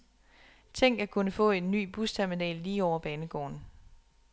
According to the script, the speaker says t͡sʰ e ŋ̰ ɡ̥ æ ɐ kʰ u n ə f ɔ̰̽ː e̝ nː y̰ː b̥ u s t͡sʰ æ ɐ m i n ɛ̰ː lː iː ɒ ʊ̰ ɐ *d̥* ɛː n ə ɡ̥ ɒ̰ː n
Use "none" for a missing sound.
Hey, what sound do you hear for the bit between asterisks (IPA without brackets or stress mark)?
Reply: b̥